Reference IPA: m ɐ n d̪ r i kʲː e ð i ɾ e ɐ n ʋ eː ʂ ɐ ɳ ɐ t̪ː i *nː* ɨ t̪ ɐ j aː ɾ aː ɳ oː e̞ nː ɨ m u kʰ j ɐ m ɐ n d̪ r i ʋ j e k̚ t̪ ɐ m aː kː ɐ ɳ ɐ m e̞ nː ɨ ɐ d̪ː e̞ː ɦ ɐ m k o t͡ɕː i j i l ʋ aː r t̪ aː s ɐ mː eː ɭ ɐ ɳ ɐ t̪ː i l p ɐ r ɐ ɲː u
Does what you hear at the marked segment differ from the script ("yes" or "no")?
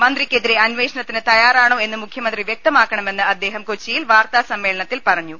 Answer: yes